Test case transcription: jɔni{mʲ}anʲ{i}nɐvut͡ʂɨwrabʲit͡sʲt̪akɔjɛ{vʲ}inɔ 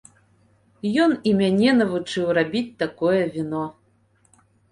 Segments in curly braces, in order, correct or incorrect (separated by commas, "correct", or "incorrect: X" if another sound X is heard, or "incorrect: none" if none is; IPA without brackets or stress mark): correct, incorrect: ɛ, correct